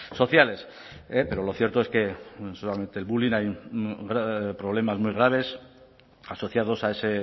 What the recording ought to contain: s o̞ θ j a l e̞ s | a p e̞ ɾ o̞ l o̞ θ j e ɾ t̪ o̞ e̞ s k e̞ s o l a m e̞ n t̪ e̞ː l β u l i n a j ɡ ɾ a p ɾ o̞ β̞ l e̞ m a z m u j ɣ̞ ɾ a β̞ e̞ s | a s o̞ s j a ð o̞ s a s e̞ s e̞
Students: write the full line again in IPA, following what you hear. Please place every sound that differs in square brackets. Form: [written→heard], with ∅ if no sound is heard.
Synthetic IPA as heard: s o̞ θ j a l e̞ s | [a→e] p e̞ ɾ o̞ l o̞ θ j e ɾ t̪ o̞ e̞ s k e̞ s o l a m e̞ n t̪ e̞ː l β u l i n a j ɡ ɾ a p ɾ o̞ β̞ l e̞ m a z m u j ɣ̞ ɾ a β̞ e̞ s | a s o̞ [s→θ] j a ð o̞ s a [s→∅] e̞ s e̞